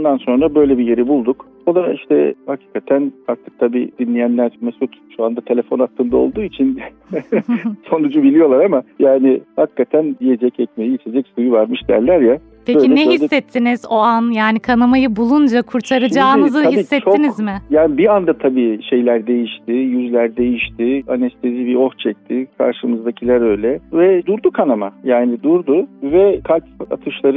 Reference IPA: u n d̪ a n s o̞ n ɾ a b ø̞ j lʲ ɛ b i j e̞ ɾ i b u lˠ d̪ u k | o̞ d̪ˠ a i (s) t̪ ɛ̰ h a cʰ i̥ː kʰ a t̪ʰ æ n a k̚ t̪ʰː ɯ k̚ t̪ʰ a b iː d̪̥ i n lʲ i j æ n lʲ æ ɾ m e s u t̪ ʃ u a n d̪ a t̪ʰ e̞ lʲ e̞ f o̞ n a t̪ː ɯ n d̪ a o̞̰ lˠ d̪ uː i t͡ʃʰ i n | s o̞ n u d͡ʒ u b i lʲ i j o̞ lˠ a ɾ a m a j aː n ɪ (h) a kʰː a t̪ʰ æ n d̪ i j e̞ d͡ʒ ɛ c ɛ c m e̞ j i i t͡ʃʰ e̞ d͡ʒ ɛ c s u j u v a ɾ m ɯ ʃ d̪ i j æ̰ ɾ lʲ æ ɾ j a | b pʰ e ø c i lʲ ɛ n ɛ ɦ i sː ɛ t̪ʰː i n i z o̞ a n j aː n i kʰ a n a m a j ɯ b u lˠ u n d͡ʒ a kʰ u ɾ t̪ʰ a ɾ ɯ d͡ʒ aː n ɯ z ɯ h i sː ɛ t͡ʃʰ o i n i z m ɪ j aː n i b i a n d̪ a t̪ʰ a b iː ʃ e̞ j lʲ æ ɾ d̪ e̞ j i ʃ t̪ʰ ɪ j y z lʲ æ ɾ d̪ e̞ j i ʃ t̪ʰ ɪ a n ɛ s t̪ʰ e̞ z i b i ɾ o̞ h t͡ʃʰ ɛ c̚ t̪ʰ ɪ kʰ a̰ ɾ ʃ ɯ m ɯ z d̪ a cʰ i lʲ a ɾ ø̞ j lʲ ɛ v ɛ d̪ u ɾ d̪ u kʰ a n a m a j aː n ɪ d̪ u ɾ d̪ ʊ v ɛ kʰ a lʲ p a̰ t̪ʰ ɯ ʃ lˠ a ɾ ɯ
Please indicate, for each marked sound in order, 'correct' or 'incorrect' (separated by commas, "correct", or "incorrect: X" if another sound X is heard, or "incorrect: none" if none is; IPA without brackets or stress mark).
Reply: incorrect: ʃ, correct